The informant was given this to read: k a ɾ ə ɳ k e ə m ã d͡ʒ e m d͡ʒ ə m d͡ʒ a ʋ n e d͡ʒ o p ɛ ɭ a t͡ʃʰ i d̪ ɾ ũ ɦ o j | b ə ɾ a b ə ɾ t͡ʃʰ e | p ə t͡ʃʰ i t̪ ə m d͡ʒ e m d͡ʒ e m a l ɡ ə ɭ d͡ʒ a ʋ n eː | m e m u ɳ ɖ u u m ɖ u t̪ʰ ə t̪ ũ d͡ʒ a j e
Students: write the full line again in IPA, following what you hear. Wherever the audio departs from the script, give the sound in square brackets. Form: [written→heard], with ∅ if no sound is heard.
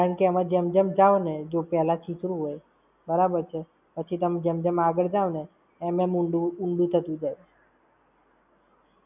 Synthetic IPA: k a ɾ ə ɳ k e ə m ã d͡ʒ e m d͡ʒ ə m d͡ʒ a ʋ n e d͡ʒ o p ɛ [ɭ→l] a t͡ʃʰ i [d̪→t̪] ɾ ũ ɦ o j | b ə ɾ a b ə ɾ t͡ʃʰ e | p ə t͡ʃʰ i t̪ ə m d͡ʒ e m d͡ʒ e m a [l→∅] ɡ ə ɭ d͡ʒ a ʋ n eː | m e m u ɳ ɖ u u [m→ɳ] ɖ u t̪ʰ ə t̪ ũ d͡ʒ a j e